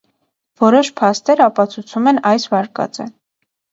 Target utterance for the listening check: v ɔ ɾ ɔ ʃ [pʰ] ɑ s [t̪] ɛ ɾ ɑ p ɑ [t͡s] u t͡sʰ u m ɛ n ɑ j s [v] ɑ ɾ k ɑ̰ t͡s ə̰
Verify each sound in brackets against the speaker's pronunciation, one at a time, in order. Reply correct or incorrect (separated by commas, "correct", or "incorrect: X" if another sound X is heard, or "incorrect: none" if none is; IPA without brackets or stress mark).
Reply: correct, correct, incorrect: t͡sʰ, correct